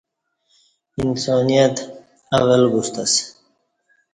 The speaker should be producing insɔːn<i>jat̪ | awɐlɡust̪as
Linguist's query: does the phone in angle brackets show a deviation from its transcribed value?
no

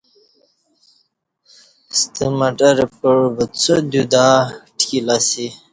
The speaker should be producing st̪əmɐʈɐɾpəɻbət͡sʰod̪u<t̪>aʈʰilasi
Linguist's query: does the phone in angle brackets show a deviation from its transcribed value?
yes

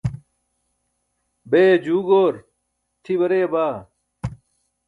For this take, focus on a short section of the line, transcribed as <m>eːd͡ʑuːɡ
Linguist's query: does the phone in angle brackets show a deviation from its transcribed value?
yes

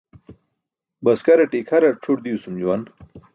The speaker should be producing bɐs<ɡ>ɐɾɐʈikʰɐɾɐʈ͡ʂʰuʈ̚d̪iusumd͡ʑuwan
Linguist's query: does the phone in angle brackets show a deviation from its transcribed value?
yes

